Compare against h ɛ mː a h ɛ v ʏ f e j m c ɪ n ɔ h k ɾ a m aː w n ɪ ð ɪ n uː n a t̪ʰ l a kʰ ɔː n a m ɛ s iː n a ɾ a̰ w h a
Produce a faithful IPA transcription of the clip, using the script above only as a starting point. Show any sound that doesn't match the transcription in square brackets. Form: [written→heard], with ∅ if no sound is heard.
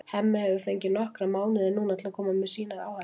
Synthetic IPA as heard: h ɛ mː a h ɛ v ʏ f e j [m→ɲ] c ɪ n ɔ h k ɾ a m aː w n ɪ ð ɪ n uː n a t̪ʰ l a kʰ ɔː [n→m] a m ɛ s iː n a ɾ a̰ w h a